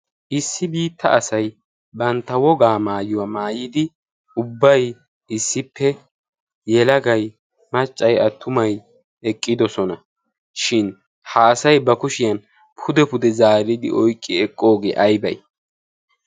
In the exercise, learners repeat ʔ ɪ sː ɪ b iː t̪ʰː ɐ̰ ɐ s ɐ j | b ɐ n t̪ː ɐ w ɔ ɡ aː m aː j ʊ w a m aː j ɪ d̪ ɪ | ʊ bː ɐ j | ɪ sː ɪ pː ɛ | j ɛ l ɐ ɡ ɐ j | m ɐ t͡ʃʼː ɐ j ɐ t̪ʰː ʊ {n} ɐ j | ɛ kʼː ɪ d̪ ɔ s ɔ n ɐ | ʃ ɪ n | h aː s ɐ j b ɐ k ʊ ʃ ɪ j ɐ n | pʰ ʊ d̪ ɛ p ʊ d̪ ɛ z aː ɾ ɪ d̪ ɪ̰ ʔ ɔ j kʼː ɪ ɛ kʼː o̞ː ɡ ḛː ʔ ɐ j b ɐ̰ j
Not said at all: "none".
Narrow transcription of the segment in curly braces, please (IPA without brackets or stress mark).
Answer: m